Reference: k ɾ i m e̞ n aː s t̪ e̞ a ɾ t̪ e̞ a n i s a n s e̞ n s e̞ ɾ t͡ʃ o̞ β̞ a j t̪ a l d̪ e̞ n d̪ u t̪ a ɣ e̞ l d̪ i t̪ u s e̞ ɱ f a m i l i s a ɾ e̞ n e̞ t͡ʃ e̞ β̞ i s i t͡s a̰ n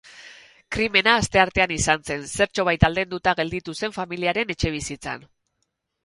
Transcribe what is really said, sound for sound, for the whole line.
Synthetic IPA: k ɾ i m e̞ n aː s t̪ e̞ a ɾ t̪ e̞ a n i s a n s e̞ n s e̞ ɾ t͡ʃ o̞ β̞ a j t̪ a l d̪ e̞ n d̪ u t̪ a ɣ e̞ l d̪ i t̪ u s e̞ ɱ f a m i l i a ɾ e̞ n e̞ t͡ʃ e̞ β̞ i s i t͡s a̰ n